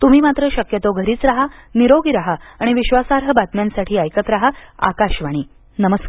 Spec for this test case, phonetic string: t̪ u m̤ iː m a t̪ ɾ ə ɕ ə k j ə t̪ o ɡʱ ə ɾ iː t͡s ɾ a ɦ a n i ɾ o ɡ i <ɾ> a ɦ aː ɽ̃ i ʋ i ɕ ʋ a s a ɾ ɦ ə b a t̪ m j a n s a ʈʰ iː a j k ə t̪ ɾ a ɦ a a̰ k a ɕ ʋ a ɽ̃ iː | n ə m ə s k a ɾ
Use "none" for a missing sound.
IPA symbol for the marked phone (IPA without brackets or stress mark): ɾ